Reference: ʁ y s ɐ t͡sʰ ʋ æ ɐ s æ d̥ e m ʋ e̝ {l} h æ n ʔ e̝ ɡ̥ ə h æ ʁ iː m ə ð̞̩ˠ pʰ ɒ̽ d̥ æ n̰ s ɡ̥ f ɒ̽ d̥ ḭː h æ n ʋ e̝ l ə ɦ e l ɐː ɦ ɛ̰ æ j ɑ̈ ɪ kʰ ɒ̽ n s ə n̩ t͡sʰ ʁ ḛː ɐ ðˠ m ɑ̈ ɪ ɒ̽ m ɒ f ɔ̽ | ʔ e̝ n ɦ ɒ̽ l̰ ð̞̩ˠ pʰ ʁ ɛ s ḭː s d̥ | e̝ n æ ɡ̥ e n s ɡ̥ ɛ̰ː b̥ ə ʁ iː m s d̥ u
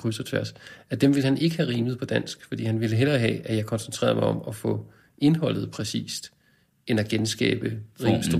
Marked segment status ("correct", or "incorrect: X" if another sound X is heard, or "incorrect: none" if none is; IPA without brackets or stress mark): correct